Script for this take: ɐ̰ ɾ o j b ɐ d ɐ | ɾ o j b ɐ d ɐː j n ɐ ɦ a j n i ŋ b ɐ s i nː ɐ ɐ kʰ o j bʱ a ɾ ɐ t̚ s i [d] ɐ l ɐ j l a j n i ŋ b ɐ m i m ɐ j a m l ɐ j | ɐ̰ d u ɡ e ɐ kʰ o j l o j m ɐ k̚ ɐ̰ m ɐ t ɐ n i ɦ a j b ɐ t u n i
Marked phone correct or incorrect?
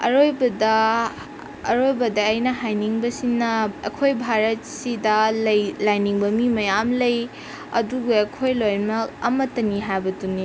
correct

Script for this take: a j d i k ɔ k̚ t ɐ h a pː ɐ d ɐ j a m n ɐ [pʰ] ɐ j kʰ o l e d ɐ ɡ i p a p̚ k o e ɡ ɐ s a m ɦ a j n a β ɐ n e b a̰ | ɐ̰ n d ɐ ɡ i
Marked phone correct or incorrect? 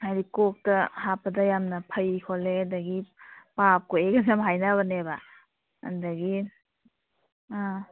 correct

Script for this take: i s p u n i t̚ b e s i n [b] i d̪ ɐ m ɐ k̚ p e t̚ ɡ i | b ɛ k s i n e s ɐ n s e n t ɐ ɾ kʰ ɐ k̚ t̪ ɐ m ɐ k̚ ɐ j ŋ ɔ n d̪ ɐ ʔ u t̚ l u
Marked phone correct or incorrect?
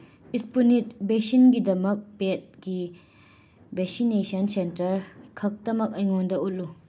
incorrect: ɡ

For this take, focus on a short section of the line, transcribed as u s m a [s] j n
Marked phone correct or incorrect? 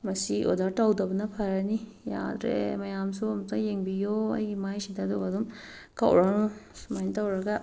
incorrect: none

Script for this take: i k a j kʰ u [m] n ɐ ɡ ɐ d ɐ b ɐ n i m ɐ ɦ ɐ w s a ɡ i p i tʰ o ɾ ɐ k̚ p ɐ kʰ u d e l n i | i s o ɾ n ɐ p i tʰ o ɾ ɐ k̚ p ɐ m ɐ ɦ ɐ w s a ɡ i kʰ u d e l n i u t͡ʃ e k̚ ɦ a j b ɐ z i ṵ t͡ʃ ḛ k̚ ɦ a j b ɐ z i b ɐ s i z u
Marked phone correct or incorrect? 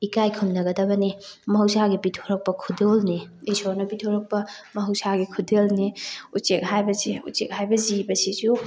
correct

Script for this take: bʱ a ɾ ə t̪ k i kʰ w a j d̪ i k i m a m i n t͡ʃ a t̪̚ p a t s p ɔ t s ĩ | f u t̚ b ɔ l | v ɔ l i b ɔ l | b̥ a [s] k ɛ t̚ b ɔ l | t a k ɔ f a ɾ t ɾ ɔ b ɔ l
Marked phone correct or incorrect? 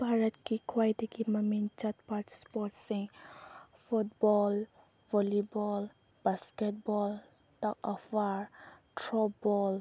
correct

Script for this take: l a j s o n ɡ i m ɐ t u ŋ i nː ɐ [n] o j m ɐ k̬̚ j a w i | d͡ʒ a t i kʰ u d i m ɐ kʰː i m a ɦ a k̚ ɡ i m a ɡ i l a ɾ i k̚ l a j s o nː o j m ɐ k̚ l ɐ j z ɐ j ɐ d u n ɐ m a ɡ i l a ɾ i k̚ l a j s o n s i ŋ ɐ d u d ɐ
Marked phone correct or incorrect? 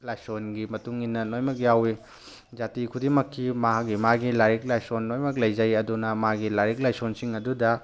correct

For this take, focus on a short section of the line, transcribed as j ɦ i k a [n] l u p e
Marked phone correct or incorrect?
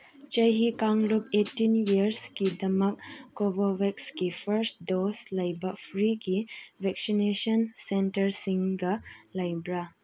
incorrect: ŋ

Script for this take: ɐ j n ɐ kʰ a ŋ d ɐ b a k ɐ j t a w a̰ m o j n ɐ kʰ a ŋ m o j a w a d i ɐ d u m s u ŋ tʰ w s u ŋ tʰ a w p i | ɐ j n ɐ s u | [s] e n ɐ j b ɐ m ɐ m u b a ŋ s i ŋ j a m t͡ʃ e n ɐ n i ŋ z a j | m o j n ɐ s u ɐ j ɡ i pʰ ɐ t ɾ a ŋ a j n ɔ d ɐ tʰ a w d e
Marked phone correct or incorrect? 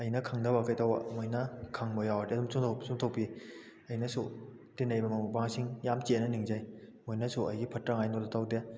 incorrect: t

